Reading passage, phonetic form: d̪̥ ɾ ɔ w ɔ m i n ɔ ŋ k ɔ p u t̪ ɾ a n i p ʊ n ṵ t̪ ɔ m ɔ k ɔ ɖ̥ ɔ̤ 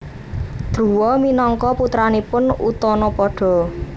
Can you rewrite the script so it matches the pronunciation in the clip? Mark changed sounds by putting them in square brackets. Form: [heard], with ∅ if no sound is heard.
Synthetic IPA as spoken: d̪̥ ɾ [u] w ɔ m i n ɔ ŋ k ɔ p u t̪ ɾ a n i p ʊ n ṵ t̪ ɔ [n] ɔ [p] ɔ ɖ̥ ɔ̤